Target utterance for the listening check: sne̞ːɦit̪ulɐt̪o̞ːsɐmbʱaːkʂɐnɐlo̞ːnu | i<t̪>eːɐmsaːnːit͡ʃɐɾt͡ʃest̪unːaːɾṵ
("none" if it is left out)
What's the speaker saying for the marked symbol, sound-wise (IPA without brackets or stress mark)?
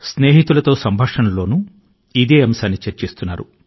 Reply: d̪